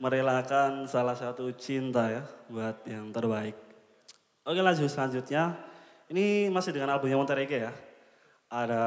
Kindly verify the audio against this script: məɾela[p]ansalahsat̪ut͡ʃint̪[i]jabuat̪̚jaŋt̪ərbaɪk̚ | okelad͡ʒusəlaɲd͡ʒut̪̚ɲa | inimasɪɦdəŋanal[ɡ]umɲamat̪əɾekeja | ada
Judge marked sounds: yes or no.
no, no, no

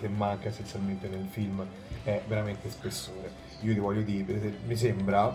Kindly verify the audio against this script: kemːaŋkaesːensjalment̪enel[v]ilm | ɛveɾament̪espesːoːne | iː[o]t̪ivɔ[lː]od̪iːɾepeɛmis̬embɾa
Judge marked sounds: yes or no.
no, yes, no

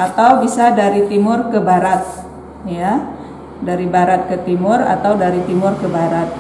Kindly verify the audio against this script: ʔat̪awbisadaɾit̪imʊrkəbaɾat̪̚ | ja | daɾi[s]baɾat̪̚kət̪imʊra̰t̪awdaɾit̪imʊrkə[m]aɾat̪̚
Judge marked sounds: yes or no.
no, no

